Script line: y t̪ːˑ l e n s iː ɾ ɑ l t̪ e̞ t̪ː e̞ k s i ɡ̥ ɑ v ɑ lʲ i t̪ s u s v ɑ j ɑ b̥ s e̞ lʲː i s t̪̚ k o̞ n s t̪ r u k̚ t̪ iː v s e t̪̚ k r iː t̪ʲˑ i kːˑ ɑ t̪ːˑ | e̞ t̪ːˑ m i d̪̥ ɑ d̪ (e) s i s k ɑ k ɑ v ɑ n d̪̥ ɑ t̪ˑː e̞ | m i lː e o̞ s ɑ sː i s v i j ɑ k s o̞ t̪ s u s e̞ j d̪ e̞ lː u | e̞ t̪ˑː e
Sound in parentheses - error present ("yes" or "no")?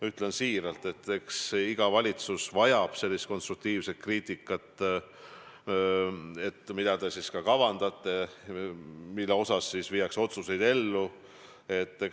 no